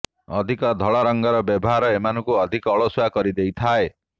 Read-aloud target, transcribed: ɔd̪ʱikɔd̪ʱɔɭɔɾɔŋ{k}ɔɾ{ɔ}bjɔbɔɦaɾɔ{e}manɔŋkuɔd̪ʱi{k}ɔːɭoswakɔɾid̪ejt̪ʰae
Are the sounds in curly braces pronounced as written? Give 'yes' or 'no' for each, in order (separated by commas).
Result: no, yes, yes, yes